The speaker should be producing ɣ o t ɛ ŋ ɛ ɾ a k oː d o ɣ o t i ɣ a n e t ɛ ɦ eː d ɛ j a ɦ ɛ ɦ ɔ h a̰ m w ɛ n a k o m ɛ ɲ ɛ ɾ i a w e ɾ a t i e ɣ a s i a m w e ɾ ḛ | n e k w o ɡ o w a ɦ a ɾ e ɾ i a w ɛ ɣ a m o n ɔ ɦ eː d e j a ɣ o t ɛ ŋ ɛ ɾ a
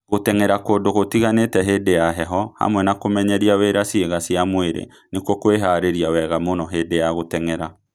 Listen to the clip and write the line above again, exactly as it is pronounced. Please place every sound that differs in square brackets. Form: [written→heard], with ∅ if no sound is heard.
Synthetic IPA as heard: ɣ o t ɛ ŋ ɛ ɾ a k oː d o ɣ o t i ɣ a n e t ɛ ɦ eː d [ɛ→e] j a ɦ ɛ ɦ ɔ h a̰ m w ɛ n a k o m ɛ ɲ ɛ ɾ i a w e ɾ a [t→s] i e ɣ a s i a m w e ɾ ḛ | n e k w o [ɡ→k] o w [a→e] ɦ a ɾ e ɾ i a w ɛ ɣ a m o n ɔ ɦ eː d e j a ɣ o t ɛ ŋ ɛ ɾ a